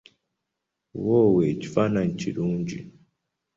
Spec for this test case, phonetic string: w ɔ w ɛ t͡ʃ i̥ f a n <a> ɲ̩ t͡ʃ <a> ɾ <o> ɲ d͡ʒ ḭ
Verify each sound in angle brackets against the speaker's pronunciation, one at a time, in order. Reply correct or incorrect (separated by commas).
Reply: correct, incorrect, incorrect